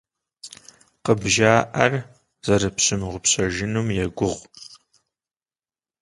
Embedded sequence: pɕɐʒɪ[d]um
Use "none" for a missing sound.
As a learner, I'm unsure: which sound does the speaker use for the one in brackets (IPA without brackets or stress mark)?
n